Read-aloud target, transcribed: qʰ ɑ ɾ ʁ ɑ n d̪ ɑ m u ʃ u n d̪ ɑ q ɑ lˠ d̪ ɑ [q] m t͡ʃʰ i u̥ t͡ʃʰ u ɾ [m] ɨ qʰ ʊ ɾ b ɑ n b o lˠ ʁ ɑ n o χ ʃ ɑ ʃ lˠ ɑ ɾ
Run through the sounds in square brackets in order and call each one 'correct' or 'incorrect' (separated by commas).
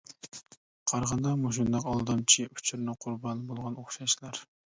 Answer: incorrect, incorrect